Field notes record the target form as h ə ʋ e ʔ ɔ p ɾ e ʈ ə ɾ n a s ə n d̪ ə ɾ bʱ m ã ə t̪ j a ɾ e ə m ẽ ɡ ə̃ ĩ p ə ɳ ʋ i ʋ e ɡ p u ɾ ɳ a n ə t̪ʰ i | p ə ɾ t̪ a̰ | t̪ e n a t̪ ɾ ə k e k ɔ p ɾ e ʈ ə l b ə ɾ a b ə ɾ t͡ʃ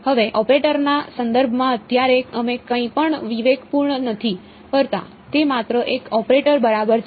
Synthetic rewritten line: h ə ʋ e ʔ ɔ p ɾ e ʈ ə ɾ n a s ə n d̪ ə ɾ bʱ m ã ə t̪ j a ɾ e ə m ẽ k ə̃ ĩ p ə ɳ ʋ i ʋ e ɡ p u ɾ ɳ ə n ə t̪ʰ i | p ə ɾ t̪ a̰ | t̪ e m a t̪ ɾ ə ʔ e k ɔ p ɾ e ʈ ə ɾ b ə ɾ a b ə ɾ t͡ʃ